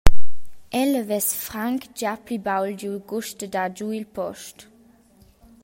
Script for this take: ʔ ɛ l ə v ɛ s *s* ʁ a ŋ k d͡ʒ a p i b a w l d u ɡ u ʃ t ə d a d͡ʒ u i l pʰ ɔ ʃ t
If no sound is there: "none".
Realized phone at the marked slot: f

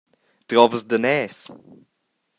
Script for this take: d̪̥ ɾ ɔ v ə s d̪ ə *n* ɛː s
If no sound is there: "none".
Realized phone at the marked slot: n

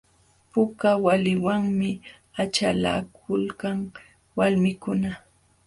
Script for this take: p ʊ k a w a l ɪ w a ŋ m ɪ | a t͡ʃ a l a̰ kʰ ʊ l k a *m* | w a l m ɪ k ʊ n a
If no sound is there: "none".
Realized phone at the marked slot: ŋ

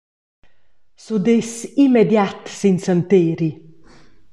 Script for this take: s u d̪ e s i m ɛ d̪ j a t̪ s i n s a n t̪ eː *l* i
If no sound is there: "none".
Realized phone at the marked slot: ɾ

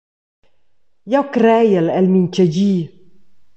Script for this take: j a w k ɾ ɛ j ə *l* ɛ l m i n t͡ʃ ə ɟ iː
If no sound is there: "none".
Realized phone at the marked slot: l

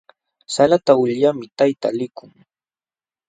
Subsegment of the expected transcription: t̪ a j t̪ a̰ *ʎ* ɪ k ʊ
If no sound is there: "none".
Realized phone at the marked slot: l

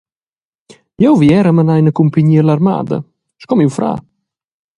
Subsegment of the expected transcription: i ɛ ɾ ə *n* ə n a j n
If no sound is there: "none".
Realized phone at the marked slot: m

